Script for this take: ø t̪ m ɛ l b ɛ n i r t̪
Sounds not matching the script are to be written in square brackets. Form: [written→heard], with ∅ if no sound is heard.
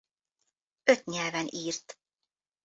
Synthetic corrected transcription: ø t̪ [m→ɲ] ɛ l [b→v] ɛ n [i→iː] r t̪